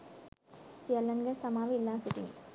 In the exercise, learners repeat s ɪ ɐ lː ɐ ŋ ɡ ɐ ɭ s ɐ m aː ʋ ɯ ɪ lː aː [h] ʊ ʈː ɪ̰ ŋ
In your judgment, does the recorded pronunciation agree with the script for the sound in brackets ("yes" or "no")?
no